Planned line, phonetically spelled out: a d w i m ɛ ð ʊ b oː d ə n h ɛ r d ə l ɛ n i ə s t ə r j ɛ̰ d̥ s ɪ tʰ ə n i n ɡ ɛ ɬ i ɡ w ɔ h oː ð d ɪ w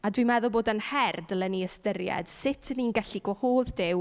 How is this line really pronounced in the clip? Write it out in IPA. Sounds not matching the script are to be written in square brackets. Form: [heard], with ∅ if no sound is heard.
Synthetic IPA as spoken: a d w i m ɛ ð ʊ b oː d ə n h ɛ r d ə l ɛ n i ə s t ə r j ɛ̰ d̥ s ɪ tʰ ə n i n ɡ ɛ ɬ i ɡ w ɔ h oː ð d ɪ w